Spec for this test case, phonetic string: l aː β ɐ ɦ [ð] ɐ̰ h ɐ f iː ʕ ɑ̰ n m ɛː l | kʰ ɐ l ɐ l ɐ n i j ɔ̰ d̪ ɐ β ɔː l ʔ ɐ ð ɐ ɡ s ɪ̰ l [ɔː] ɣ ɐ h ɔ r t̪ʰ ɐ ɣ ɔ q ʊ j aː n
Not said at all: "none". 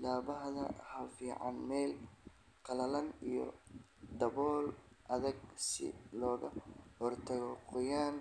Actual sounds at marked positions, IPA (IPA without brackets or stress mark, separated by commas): ð, ɔː